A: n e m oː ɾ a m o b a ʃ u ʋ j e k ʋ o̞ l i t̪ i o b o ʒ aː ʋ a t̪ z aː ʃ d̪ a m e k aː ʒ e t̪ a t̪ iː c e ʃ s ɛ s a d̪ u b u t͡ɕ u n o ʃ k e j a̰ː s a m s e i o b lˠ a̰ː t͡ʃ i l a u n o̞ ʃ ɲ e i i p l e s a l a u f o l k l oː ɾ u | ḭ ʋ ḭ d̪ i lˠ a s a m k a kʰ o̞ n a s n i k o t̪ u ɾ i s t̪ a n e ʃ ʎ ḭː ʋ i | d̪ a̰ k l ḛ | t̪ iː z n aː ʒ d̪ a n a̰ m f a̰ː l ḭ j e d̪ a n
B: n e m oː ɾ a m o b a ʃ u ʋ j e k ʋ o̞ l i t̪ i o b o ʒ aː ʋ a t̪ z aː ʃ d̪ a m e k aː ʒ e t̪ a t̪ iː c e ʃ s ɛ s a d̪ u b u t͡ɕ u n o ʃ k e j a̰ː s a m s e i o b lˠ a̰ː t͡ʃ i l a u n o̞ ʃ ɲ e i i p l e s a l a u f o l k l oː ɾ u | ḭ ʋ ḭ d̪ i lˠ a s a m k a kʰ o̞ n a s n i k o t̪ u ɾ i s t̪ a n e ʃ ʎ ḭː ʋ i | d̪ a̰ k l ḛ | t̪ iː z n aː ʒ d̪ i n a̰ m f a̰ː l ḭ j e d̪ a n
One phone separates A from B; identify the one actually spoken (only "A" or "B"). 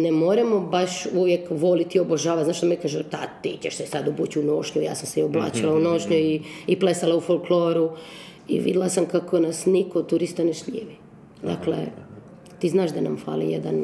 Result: A